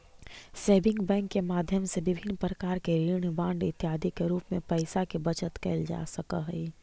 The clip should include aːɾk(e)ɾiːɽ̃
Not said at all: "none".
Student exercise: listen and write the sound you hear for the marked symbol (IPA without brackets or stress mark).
e